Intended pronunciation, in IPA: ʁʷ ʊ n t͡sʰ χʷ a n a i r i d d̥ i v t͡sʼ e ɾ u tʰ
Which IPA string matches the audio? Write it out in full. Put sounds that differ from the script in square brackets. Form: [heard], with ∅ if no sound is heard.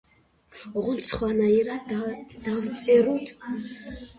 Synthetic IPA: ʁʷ ʊ n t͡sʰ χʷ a n a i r [a] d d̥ [a] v t͡sʼ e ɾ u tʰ